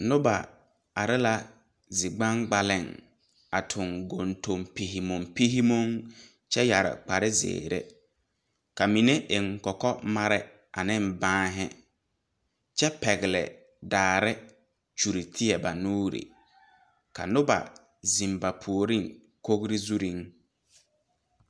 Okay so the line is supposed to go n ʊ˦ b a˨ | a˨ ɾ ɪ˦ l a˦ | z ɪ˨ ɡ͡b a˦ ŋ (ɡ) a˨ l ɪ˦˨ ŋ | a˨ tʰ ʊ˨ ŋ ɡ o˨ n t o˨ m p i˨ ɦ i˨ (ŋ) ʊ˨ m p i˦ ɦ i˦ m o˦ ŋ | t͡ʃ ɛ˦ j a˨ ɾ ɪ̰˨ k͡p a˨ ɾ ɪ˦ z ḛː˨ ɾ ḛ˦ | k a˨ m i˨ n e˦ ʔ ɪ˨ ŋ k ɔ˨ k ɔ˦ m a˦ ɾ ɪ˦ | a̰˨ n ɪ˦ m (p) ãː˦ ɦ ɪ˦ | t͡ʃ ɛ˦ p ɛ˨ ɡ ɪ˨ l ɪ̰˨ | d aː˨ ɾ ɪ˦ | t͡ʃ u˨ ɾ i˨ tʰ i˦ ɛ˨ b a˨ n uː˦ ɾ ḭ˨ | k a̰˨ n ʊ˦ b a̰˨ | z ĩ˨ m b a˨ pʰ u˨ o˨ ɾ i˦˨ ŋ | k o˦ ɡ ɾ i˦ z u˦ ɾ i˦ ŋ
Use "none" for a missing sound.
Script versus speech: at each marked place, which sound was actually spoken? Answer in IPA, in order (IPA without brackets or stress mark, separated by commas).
ɡ͡b, m, b